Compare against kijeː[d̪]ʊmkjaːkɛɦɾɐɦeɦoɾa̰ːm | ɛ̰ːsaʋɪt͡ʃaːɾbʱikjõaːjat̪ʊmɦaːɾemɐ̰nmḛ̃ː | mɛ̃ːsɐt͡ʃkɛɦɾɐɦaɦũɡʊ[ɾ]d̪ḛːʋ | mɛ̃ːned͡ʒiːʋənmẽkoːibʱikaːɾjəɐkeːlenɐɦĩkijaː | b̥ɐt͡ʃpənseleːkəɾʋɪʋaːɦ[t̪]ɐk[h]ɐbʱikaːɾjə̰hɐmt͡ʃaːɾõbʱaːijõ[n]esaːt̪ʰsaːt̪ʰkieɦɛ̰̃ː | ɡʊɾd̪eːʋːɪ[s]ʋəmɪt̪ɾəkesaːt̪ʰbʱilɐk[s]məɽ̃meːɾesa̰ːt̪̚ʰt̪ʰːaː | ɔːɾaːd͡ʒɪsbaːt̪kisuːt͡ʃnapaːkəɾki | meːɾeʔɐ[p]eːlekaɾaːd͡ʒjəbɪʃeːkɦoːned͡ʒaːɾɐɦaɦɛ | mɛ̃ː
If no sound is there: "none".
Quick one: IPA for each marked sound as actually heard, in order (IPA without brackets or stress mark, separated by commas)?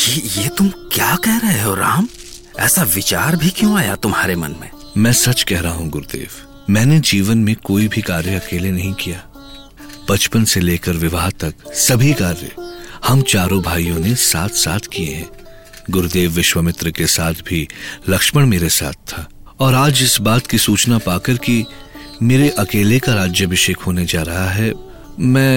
t̪, ɾ, t̪, s, n, ʃ, ʃ, k